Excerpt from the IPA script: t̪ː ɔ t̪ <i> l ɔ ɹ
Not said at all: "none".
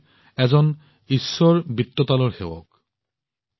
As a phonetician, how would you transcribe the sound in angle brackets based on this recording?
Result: a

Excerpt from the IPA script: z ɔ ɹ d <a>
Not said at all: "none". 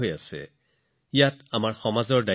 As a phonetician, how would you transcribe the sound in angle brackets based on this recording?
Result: a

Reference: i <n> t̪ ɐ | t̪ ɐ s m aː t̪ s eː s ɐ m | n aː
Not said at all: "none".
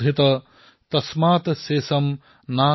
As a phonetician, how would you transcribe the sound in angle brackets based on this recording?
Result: none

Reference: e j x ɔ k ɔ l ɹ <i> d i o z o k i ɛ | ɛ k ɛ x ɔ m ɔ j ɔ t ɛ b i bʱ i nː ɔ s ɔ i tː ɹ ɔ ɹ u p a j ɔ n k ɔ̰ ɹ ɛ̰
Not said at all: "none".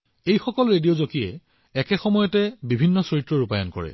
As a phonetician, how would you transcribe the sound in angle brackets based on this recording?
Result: e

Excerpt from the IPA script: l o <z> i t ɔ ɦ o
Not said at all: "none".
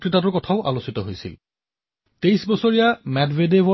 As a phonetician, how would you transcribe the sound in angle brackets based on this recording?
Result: s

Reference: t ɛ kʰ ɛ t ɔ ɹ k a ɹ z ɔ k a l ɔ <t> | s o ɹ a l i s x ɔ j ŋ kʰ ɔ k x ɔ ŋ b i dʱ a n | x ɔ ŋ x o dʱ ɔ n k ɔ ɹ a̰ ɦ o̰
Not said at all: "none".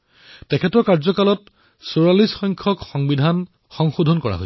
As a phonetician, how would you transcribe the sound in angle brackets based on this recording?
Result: t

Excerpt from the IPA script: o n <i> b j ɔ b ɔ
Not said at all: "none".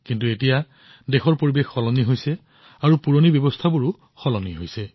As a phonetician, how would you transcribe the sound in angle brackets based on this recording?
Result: i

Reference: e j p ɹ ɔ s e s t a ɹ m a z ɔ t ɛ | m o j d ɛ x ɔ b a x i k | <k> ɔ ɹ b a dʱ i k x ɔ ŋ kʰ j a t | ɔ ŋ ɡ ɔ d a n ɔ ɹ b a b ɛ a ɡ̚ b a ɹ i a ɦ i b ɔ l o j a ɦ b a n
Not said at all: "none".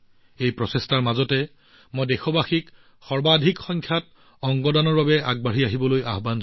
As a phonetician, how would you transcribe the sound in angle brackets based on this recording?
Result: x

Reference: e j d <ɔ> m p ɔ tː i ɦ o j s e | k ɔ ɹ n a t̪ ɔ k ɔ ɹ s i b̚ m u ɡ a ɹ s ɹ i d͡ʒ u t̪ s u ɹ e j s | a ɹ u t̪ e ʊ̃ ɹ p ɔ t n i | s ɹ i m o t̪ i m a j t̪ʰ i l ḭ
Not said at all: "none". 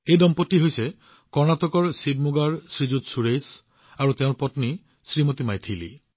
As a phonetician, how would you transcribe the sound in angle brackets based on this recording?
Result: ɔ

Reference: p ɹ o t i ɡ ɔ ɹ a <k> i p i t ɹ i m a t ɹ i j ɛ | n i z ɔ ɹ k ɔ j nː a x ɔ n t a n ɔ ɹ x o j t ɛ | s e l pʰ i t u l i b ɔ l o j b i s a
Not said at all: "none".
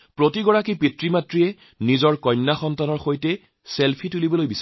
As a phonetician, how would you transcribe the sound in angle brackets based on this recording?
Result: k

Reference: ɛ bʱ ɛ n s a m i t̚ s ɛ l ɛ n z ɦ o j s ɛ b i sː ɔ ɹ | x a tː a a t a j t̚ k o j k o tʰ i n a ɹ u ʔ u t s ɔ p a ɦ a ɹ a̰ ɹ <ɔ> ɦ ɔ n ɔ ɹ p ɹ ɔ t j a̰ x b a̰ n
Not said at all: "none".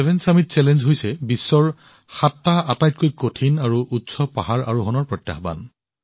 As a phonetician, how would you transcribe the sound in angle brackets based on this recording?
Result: u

